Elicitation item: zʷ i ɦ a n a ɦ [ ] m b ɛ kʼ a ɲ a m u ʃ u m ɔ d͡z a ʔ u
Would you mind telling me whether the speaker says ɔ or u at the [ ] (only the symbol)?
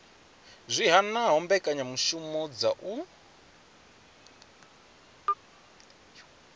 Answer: ɔ